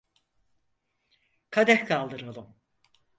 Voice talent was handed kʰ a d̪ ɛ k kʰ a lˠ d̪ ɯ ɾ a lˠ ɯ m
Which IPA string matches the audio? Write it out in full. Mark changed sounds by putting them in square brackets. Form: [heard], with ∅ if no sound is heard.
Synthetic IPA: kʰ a d̪ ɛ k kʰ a lˠ d̪ ɯ ɾ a lˠ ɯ m